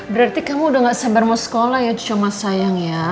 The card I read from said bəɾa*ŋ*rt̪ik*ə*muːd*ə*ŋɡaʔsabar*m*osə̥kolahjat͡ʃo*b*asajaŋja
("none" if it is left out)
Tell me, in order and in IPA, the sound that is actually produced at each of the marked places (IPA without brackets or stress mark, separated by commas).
none, a, a, m, m